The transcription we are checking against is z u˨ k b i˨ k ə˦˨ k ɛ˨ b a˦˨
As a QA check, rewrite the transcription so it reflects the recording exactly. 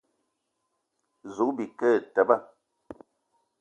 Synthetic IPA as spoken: z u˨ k b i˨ k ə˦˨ t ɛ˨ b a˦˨